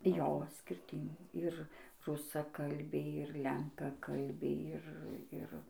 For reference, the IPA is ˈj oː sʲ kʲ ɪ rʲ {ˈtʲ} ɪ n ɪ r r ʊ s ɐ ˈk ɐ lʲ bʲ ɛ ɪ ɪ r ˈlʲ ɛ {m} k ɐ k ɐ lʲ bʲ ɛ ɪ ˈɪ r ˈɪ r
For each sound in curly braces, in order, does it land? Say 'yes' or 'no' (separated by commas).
yes, no